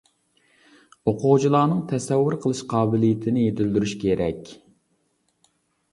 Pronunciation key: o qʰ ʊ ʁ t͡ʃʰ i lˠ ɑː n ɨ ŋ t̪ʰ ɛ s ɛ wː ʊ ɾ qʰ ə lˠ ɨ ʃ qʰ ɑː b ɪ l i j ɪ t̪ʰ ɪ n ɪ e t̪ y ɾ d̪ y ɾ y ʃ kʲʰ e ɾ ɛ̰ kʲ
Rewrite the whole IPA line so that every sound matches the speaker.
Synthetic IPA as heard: o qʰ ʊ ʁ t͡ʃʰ i lˠ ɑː n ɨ ŋ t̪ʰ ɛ s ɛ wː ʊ ɾ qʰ ə lˠ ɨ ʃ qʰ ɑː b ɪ l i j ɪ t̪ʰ ɪ n ɪ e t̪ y l d̪ y ɾ y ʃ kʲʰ e ɾ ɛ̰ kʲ